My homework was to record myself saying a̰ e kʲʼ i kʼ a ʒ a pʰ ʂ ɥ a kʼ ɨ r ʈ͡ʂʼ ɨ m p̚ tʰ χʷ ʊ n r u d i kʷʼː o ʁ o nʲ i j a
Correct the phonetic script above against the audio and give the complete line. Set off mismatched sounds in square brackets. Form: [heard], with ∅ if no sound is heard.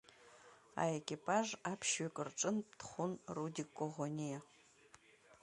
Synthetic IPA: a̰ e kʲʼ i [pʼ] a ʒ a pʰ [ʃ] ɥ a kʼ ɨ r ʈ͡ʂʼ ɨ [n] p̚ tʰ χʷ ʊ n r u d i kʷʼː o ʁ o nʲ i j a